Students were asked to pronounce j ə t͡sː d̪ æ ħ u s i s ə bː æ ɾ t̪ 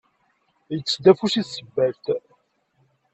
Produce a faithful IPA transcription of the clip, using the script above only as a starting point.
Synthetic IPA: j ə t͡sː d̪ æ f u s i s ə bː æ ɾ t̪